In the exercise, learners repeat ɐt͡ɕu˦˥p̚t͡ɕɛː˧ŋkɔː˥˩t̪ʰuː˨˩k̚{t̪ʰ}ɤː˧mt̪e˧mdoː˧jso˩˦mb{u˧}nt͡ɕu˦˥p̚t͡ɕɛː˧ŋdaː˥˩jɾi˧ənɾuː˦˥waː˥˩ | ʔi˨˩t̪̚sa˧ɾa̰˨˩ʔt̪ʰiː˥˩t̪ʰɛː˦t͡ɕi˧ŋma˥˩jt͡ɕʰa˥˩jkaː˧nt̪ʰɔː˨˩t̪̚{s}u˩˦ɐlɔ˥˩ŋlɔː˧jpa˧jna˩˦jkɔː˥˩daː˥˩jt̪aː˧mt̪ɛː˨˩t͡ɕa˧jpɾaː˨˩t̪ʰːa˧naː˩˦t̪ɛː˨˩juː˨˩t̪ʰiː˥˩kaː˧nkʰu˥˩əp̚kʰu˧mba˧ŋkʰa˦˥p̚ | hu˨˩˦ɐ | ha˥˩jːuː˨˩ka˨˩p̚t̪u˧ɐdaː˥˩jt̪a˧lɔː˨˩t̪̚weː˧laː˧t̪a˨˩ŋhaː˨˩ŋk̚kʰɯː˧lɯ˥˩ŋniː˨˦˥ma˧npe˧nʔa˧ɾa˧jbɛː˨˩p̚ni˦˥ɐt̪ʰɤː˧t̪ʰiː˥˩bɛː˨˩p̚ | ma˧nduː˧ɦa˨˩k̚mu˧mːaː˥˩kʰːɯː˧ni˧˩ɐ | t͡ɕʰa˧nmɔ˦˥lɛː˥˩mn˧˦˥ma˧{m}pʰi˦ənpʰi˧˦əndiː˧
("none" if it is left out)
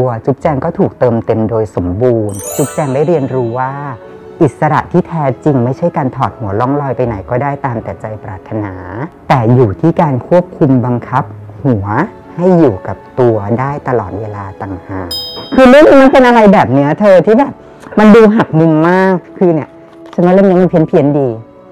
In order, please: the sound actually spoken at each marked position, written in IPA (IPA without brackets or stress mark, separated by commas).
t̪, uː˧, h, n